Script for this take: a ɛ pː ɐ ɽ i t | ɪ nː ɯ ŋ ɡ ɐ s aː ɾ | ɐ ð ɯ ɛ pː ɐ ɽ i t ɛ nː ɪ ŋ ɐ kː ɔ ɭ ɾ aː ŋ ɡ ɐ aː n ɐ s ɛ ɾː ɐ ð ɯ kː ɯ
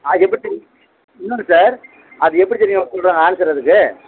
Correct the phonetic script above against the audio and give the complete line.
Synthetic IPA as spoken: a ɛ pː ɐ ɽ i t | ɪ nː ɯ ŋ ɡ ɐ s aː ɾ | ɐ ð ɯ ɛ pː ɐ ɽ i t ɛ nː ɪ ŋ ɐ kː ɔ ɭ ɾ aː ŋ ɡ ɐ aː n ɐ s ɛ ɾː ɐ ð ɯ kː ɯ